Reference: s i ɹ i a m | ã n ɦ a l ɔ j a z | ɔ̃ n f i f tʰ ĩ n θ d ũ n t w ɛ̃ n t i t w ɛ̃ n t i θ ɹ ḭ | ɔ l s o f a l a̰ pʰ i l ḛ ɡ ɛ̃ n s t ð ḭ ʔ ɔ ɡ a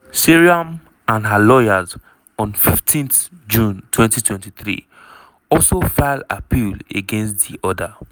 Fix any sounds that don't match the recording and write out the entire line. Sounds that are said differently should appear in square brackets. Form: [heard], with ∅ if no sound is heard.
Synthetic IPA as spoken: s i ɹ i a m | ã n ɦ a l ɔ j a z | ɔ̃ n f i f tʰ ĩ n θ [d͡ʒ] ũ n t w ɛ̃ n t i t w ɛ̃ n t i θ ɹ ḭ | ɔ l s o f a l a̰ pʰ i l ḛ ɡ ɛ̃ n s t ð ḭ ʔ ɔ [d] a